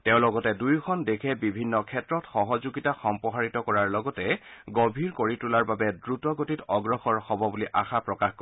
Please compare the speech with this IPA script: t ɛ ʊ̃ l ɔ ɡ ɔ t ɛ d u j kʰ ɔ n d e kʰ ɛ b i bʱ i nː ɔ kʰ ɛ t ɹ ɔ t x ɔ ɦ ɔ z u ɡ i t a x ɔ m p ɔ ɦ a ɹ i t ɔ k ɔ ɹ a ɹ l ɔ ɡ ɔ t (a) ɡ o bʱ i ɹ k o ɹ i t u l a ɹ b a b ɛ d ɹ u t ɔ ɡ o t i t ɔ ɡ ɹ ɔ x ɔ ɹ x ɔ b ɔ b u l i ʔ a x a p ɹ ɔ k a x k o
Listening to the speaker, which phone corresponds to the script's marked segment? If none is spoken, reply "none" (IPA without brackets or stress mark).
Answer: ɛ